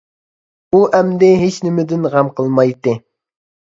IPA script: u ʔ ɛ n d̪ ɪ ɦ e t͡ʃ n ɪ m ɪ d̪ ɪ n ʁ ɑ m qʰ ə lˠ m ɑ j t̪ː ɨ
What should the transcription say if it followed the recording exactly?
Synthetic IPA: u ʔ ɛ m d̪ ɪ ɦ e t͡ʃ n ɪ m ɪ d̪ ɪ n ʁ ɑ m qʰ ə lˠ m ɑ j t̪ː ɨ